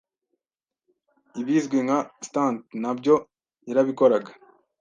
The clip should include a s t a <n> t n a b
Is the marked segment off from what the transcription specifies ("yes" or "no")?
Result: no